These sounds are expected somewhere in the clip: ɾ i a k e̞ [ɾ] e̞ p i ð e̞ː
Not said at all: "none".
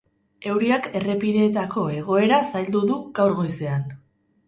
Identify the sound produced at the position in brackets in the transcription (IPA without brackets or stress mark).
r